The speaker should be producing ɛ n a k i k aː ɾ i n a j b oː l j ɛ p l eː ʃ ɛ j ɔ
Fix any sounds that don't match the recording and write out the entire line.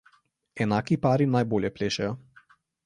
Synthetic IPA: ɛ n a k i p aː ɾ i n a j b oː l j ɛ p l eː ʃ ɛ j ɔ